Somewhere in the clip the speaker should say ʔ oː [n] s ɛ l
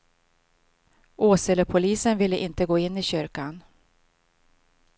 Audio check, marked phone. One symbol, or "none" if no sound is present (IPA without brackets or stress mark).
none